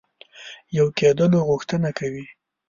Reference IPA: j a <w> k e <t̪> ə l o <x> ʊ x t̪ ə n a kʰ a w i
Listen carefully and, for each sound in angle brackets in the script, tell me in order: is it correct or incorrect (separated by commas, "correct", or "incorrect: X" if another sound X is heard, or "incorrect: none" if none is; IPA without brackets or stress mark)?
correct, incorrect: d̪, incorrect: ɣ